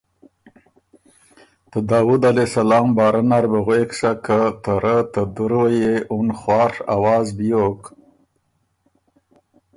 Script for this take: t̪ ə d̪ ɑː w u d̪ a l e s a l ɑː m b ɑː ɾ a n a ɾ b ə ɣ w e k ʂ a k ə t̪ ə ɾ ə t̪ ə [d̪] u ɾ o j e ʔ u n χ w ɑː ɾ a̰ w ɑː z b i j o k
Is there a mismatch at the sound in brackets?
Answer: no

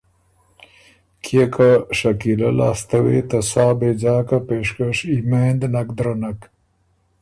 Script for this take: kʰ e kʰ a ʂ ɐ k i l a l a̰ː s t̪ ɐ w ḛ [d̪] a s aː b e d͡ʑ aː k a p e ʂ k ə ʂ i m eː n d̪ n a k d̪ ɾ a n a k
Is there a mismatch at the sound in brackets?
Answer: yes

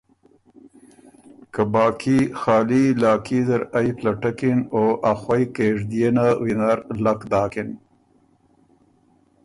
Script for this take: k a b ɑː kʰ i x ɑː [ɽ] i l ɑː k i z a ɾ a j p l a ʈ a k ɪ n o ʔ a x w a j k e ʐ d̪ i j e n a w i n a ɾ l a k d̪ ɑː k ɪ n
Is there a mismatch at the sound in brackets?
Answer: yes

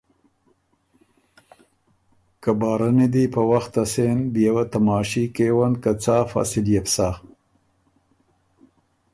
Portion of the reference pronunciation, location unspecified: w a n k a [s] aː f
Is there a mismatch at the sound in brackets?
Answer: yes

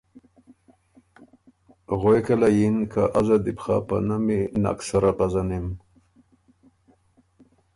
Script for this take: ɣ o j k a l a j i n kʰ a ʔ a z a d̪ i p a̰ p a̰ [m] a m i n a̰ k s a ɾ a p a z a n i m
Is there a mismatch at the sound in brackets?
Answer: yes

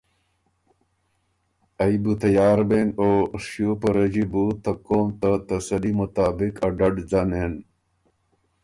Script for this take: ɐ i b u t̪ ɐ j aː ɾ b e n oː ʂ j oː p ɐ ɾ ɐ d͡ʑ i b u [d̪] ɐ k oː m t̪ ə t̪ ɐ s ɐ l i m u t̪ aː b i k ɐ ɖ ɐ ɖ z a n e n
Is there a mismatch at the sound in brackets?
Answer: yes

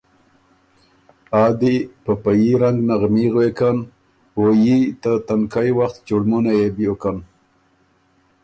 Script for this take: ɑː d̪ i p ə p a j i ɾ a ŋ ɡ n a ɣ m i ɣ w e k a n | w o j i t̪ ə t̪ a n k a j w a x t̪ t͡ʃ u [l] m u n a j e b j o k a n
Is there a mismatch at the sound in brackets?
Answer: yes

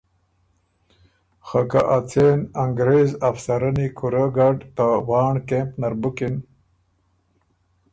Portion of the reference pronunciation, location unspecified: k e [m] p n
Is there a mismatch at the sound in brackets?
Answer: no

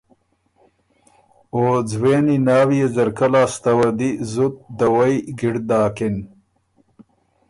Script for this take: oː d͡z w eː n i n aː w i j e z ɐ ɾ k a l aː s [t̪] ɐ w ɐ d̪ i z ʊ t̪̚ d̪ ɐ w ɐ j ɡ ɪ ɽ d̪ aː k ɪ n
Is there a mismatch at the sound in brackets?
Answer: no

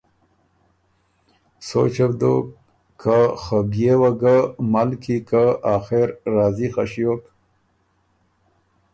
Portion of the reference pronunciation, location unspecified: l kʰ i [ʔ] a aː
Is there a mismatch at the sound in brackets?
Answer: yes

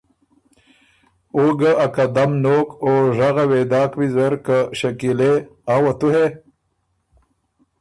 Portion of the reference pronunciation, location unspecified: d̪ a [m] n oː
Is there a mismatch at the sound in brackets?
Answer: no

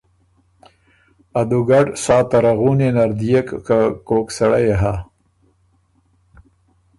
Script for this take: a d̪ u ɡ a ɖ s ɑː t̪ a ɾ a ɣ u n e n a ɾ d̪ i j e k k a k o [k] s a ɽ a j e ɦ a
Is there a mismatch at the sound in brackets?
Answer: no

